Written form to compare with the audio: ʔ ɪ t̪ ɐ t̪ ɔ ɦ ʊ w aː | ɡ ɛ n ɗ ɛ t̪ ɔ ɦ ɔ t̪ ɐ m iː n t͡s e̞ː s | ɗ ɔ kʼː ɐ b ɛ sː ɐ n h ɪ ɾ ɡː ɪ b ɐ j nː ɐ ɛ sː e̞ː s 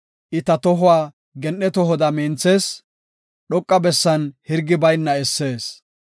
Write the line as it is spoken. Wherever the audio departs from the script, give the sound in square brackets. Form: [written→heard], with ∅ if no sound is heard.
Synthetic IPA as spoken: ʔ ɪ t̪ ɐ t̪ ɔ ɦ ʊ w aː | ɡ ɛ n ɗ ɛ t̪ ɔ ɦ ɔ [t̪→d̪] ɐ m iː n t͡s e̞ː s | ɗ ɔ kʼː ɐ b ɛ sː ɐ n h ɪ ɾ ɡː ɪ b ɐ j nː ɐ ɛ sː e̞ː s